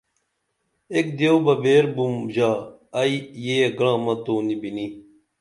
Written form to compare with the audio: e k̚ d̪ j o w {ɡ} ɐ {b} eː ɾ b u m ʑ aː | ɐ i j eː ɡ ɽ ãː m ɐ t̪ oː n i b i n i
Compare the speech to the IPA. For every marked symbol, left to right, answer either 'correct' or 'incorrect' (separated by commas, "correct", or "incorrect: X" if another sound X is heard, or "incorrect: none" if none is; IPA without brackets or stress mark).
incorrect: b, correct